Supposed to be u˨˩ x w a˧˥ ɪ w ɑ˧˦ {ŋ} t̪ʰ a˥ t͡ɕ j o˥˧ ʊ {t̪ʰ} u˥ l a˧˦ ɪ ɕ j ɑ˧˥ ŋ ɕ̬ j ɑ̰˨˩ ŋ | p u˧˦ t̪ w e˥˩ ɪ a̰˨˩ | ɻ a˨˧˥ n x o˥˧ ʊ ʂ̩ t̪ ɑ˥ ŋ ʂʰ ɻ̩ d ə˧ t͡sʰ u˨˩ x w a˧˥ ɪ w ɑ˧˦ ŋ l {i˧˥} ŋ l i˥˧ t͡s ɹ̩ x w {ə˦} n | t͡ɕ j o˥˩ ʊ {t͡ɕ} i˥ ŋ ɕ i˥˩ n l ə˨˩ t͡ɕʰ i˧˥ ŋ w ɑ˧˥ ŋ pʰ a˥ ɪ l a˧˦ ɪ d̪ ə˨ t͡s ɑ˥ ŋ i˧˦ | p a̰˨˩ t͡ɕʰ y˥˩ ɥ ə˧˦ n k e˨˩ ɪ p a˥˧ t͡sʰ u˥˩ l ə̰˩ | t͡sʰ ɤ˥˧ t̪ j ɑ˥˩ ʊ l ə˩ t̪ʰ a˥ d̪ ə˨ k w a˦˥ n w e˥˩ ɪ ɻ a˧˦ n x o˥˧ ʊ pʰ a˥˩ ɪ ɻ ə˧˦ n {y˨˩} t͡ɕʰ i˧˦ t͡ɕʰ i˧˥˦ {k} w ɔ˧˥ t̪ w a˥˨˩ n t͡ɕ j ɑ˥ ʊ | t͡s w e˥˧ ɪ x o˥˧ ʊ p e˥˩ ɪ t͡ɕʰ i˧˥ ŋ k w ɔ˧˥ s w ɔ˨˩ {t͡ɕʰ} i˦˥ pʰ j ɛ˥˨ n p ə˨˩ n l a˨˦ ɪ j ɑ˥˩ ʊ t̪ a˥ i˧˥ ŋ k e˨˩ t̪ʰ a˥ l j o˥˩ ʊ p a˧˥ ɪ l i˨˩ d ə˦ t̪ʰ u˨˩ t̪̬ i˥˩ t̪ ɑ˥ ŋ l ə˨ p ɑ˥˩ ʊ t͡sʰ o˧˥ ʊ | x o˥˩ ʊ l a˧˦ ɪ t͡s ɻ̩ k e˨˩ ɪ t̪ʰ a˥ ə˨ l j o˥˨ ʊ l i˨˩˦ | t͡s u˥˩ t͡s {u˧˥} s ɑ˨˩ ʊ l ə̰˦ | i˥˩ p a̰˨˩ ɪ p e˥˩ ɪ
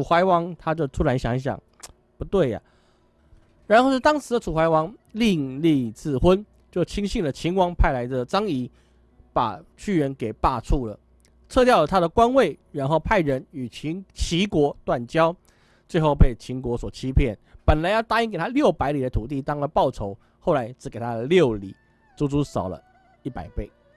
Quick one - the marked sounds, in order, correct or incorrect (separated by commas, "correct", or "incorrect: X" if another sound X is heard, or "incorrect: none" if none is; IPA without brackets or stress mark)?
correct, correct, incorrect: i˥˧, correct, incorrect: t͡ɕʰ, correct, correct, correct, incorrect: u˥